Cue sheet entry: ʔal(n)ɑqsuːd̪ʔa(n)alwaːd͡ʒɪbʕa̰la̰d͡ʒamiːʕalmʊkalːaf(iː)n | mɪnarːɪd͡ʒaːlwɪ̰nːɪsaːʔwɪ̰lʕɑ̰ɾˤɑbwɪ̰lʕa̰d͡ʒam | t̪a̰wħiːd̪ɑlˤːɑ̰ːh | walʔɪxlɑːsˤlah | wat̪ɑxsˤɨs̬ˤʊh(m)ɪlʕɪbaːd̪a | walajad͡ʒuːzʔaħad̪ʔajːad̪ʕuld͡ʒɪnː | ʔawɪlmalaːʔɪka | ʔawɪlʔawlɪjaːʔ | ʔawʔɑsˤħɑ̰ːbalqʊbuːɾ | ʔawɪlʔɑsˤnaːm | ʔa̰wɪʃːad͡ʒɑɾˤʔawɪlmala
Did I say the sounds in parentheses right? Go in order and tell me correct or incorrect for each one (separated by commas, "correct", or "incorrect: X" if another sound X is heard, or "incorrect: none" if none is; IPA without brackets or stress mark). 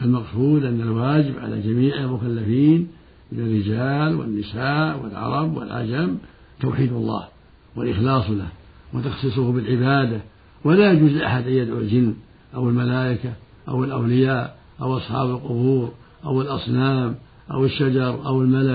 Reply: incorrect: m, incorrect: nː, correct, incorrect: b